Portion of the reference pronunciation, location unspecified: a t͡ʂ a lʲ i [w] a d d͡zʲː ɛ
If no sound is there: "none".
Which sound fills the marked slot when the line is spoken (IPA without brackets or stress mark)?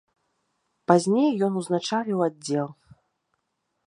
w